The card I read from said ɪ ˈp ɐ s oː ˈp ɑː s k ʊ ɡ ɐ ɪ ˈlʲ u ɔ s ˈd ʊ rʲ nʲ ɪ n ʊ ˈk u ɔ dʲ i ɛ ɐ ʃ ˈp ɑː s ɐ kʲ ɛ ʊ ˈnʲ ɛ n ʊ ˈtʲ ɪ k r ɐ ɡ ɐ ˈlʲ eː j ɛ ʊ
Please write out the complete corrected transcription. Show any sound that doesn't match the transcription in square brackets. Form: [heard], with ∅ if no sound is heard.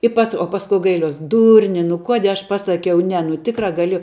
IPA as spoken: ɪ ˈp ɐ s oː ˈp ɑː s k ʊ ɡ ɐ ɪ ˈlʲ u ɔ s ˈd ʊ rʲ nʲ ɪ n ʊ ˈk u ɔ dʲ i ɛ ɐ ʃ ˈp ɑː s ɐ kʲ ɛ ʊ ˈnʲ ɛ n ʊ ˈtʲ ɪ k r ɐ ɡ ɐ ˈlʲ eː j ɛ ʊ